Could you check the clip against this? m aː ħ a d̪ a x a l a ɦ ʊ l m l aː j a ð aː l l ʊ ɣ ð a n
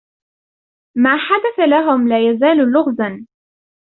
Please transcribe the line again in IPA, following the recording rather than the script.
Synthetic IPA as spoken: m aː ħ a d̪ a θ a l a ɦ ʊ m l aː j a z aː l l ʊ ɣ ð a n